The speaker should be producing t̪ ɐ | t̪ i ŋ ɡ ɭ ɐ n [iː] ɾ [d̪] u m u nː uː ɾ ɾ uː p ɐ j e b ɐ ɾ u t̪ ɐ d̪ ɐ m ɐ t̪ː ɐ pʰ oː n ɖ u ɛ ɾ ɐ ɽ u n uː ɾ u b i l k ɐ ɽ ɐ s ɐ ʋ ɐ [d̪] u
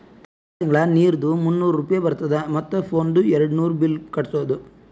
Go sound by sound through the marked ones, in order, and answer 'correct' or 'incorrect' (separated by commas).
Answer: correct, correct, correct